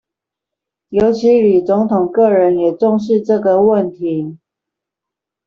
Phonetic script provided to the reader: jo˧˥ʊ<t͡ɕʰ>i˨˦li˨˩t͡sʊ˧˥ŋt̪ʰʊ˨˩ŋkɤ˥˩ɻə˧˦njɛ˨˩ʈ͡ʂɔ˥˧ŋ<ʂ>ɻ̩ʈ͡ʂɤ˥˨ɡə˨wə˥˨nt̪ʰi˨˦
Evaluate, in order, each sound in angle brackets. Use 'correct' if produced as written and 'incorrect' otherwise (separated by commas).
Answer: correct, correct